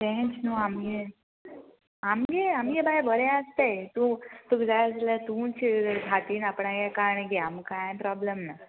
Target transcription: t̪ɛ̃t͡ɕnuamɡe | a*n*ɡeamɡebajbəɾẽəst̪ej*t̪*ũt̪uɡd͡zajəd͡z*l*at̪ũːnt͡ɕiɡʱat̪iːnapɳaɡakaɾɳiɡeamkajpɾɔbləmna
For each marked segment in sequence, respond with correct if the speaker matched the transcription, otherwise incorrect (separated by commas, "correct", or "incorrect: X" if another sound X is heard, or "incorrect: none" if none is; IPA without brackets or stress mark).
incorrect: m, correct, correct